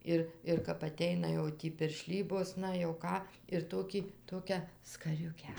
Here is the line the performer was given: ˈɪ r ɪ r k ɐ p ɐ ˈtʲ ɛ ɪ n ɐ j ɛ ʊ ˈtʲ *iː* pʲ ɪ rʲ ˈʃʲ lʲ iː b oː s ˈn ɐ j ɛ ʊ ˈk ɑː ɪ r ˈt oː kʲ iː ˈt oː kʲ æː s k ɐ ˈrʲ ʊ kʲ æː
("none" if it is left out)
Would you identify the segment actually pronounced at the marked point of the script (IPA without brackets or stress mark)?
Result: iː